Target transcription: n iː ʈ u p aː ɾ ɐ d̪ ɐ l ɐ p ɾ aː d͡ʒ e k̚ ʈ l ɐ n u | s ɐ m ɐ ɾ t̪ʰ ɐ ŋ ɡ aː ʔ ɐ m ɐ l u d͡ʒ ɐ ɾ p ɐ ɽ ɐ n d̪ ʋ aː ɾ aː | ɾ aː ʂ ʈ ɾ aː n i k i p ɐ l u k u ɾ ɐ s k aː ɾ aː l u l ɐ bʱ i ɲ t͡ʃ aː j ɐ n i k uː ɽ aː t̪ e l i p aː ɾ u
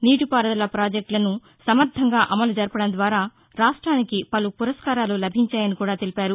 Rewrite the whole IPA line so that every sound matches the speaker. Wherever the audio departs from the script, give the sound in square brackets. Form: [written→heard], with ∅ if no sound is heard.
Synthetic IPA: n iː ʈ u p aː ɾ ɐ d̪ ɐ l ɐ p ɾ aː d͡ʒ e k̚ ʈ l ɐ n u | s ɐ m ɐ ɾ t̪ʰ ɐ ŋ ɡ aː ʔ ɐ m ɐ l u d͡ʒ ɐ ɾ p ɐ ɽ ɐ n d̪ ʋ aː ɾ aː | ɾ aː ʂ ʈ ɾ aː n i k i p ɐ l u [k→p] u ɾ ɐ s k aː ɾ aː l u l ɐ bʱ i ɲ t͡ʃ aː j ɐ n i k uː ɽ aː t̪ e l i p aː ɾ u